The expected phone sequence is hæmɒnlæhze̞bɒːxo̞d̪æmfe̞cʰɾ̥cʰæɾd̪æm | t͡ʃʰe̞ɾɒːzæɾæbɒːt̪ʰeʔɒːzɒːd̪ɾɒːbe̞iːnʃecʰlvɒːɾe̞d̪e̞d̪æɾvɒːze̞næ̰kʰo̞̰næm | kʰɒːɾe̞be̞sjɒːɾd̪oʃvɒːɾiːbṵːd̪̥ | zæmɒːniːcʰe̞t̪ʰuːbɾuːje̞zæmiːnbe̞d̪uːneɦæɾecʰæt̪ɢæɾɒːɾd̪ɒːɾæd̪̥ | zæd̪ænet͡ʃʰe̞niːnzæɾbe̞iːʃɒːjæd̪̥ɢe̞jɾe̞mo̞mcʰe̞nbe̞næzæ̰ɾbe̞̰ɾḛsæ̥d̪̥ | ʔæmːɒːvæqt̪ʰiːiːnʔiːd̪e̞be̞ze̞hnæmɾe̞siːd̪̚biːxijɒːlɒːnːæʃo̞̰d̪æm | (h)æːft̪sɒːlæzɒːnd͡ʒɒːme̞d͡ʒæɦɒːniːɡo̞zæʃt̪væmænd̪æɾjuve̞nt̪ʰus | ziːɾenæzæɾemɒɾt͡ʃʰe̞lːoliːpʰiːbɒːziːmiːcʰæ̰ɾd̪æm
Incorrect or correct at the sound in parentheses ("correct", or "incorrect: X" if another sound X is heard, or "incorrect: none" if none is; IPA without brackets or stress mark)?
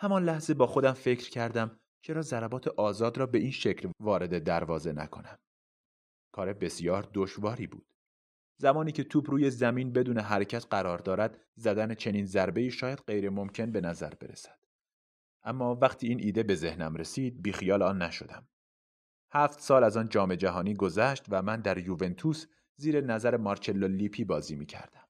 correct